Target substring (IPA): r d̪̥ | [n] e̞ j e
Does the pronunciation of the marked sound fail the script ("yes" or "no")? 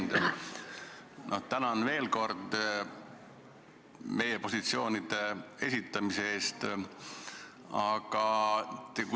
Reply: yes